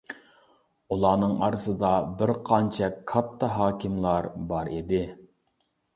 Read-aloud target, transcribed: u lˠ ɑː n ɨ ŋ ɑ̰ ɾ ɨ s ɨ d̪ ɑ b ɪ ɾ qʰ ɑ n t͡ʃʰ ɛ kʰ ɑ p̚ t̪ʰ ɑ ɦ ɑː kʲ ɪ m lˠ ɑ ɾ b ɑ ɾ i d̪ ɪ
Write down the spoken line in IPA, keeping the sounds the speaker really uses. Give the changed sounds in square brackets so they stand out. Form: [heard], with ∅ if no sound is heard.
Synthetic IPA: u lˠ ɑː n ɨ ŋ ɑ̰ ɾ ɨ s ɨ d̪ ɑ b ɪ ɾ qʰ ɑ n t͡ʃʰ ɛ kʰ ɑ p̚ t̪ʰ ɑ ɦ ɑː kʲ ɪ m lˠ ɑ ɾ b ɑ ɾ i d̪ ɪ